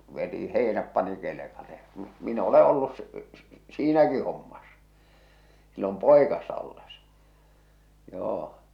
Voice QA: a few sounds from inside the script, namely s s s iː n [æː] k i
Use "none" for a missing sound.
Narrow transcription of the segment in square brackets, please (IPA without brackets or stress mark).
æ